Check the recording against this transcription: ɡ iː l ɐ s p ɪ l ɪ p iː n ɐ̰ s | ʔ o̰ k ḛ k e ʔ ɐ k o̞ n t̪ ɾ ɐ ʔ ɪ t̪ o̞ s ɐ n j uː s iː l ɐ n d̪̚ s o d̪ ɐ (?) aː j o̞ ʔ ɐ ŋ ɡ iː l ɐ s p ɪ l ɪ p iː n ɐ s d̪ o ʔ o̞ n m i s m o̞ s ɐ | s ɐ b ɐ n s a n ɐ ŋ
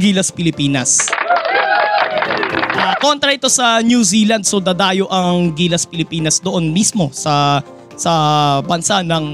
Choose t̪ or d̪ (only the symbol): d̪